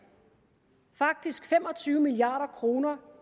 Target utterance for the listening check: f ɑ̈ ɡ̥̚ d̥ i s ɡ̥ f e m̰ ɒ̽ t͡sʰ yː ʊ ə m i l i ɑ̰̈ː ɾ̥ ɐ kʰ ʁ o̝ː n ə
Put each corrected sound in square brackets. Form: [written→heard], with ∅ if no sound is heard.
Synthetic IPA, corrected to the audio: f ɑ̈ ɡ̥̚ d̥ i s ɡ̥ f e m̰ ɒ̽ t͡sʰ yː ʊ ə m i l i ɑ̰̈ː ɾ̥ ɐ kʰ ʁ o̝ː n [ə→ɐ]